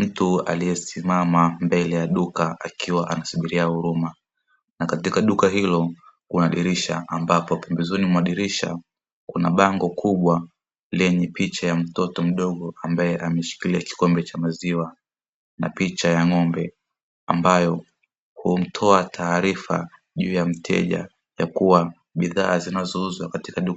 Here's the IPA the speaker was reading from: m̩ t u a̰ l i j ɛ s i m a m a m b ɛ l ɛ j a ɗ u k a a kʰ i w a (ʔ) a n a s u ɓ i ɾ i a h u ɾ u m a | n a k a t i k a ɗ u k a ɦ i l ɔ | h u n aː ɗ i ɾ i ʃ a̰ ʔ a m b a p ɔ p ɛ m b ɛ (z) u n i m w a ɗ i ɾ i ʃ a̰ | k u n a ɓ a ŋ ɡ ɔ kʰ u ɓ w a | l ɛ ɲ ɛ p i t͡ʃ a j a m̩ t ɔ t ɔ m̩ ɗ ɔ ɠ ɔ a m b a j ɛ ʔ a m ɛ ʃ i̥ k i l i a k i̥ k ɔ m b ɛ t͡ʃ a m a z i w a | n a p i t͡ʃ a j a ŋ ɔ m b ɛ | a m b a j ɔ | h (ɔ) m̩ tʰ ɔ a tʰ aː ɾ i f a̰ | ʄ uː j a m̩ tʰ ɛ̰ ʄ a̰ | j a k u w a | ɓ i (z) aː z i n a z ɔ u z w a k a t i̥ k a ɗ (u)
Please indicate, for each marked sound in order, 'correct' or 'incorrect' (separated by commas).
correct, correct, incorrect, incorrect, correct